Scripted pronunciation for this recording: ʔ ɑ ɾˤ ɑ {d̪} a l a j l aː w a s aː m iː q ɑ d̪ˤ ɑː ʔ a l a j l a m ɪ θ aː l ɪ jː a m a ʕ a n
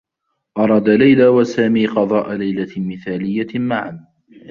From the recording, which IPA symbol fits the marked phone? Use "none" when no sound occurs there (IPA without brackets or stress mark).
d̪